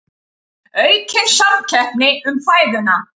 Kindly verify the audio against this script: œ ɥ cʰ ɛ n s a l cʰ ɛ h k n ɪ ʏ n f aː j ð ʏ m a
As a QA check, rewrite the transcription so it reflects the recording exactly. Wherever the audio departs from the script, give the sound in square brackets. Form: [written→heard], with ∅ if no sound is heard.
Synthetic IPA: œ ɥ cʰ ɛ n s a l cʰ ɛ h [k→p] n ɪ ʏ [n→m] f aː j ð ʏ [m→n] a